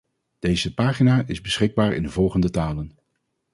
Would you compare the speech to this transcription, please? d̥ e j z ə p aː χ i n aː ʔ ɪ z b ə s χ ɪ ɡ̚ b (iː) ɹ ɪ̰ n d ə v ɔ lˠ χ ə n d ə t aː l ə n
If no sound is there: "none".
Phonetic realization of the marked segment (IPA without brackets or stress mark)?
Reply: aː